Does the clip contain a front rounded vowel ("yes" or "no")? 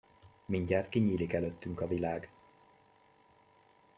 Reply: yes